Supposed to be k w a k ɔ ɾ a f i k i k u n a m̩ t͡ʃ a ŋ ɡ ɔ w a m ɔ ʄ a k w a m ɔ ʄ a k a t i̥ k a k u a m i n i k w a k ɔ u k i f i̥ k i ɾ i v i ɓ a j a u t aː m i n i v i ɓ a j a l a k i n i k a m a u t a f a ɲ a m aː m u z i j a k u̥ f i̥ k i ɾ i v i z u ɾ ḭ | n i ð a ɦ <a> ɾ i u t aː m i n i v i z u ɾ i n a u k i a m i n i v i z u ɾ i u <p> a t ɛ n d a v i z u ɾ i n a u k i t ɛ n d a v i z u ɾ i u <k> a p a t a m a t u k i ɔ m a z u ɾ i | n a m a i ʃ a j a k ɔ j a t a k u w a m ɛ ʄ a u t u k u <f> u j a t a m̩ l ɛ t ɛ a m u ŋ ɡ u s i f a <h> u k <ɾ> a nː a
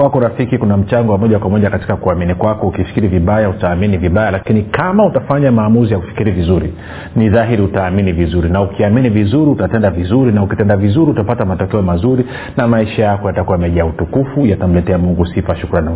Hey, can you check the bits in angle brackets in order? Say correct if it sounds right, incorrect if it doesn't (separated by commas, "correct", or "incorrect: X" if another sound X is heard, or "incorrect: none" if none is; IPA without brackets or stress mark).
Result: incorrect: i, incorrect: t, incorrect: t, correct, incorrect: ʃ, correct